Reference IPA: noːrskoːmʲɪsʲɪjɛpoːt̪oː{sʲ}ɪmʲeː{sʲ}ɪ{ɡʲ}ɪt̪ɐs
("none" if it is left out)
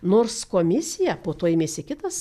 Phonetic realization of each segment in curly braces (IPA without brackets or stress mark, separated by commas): none, sʲ, kʲ